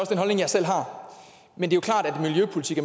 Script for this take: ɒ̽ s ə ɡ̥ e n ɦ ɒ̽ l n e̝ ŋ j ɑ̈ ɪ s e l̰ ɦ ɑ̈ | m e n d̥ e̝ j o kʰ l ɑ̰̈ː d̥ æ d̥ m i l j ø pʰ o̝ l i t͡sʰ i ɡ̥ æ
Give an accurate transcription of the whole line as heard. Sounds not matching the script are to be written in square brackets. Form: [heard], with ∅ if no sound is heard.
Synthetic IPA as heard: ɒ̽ s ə [d̥] e n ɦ ɒ̽ l n e̝ ŋ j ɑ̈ ɪ s e l̰ ɦ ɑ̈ | m e n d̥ e̝ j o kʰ l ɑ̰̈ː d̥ æ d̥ m i l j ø pʰ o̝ l i t͡sʰ i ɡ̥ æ